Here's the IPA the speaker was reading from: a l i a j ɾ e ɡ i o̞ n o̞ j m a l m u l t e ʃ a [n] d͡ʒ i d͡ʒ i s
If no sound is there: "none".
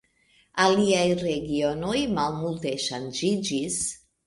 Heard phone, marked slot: n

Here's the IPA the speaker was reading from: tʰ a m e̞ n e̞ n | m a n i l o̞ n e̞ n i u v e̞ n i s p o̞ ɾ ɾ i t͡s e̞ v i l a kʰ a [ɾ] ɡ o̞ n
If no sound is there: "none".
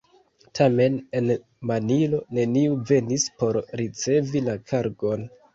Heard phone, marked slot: ɾ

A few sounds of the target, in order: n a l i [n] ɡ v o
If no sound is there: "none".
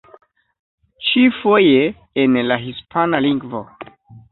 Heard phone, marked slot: ŋ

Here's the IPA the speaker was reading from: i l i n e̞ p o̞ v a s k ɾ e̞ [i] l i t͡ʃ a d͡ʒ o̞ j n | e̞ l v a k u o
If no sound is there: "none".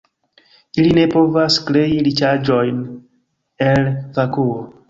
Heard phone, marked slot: i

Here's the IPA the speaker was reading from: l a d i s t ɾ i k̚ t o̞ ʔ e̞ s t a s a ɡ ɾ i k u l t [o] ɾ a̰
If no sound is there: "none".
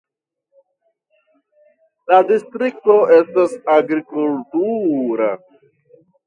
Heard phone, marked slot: u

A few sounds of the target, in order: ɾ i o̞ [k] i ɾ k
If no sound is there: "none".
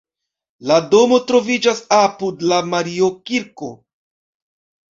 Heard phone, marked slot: k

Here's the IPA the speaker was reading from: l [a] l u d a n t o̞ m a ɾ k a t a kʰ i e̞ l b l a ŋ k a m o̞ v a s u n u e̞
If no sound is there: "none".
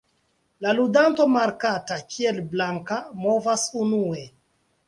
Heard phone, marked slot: a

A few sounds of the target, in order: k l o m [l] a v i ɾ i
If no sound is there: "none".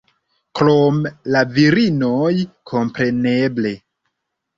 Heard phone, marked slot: l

